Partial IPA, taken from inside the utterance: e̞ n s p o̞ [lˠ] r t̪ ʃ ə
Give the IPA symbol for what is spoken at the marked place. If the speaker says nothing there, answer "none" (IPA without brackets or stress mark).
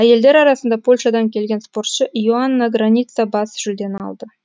none